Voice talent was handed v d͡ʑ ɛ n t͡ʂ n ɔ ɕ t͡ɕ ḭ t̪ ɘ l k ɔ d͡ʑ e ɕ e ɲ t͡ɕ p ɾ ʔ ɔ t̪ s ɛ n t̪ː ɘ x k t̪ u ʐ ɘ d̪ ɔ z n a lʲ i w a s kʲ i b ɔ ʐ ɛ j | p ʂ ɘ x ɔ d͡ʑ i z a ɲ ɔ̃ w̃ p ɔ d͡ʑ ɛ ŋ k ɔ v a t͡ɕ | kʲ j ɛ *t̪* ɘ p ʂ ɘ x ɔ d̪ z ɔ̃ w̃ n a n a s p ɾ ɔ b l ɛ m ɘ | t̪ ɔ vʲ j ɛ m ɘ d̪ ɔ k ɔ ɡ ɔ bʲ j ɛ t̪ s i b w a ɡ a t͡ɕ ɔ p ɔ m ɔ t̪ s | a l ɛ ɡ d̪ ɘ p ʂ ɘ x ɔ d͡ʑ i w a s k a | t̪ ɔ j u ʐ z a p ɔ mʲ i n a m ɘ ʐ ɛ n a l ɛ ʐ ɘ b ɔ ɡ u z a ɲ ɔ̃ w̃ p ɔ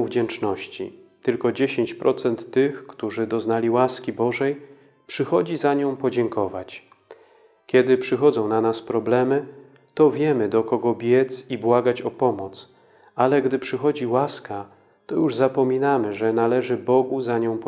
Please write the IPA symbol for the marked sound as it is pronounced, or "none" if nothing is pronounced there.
d̪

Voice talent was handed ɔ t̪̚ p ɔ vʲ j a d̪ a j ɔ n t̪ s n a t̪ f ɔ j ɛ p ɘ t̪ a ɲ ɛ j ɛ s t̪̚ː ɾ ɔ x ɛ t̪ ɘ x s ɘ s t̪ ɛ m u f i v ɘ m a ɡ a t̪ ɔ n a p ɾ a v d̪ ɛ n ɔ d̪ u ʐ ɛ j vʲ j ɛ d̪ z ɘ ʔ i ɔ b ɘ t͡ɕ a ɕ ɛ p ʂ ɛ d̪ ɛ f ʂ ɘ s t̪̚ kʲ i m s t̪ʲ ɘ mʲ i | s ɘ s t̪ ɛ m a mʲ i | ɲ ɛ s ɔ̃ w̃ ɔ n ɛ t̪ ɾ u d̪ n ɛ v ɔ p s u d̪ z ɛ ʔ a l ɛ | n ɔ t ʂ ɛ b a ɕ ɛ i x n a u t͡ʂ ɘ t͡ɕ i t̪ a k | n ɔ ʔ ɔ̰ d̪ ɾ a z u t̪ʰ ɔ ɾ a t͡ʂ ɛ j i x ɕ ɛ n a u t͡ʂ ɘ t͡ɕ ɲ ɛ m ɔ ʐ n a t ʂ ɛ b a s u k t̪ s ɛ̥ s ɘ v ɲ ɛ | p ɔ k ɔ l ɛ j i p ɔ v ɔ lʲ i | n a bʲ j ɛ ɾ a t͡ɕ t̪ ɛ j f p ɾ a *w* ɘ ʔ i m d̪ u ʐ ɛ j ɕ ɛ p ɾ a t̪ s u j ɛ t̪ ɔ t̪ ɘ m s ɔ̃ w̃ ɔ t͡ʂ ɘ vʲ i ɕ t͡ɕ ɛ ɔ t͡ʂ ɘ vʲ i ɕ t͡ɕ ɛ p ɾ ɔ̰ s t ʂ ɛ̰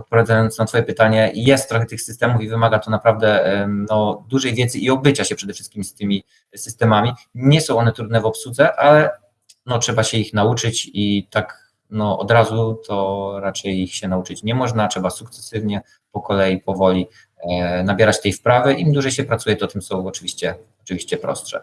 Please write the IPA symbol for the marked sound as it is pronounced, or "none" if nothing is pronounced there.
v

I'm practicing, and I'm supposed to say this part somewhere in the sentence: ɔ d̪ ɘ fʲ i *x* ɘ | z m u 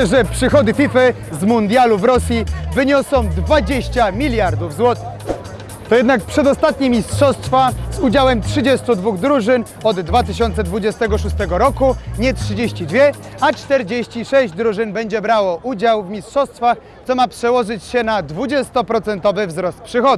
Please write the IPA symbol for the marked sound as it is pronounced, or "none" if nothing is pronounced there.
f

